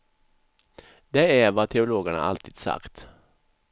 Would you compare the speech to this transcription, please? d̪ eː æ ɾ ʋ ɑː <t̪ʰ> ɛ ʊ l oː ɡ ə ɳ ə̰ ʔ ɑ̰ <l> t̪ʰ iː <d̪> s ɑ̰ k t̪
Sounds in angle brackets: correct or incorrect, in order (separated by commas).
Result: correct, correct, correct